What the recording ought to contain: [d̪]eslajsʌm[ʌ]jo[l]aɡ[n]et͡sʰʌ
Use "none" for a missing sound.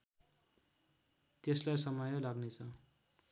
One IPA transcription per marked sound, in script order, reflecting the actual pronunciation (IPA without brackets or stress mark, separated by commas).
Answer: t̪, ʌ, l, n